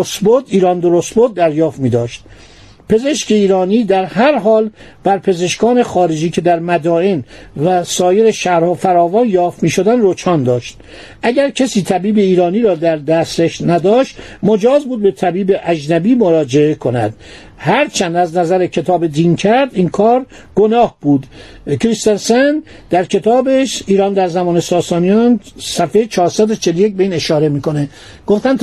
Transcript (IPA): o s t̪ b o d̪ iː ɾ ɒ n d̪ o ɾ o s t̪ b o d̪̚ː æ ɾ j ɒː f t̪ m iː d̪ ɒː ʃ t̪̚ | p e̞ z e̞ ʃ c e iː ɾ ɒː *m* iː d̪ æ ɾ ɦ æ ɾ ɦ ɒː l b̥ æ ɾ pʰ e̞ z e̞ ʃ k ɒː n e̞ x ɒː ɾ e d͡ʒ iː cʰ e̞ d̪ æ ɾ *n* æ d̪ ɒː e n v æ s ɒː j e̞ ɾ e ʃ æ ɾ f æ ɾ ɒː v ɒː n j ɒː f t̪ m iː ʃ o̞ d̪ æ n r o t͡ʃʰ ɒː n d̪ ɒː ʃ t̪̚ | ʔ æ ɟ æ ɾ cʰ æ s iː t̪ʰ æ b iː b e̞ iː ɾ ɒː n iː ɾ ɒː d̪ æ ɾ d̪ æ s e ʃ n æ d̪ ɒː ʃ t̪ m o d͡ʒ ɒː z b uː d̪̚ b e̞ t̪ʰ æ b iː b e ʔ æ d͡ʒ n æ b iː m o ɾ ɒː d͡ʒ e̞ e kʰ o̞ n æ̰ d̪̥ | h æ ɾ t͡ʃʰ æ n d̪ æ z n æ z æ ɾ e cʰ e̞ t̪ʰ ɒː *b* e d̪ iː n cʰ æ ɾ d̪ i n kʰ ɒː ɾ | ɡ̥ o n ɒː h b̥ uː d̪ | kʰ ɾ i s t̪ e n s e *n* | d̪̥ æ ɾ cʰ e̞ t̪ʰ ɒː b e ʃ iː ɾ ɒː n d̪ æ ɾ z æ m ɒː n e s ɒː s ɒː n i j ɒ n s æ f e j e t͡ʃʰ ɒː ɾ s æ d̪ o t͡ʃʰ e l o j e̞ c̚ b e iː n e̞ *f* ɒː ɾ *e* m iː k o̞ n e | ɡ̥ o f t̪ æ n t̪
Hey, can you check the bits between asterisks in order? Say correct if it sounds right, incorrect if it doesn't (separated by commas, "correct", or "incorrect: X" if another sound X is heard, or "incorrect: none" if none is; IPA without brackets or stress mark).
incorrect: n, incorrect: m, correct, correct, incorrect: ʃ, correct